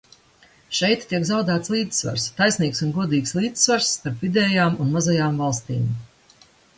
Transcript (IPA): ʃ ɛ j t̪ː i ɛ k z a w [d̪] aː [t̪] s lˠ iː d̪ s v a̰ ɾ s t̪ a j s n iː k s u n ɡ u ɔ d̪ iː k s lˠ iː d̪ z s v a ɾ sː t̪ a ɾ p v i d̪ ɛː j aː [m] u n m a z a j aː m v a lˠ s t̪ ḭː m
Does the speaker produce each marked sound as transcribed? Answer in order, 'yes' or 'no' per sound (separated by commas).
yes, yes, yes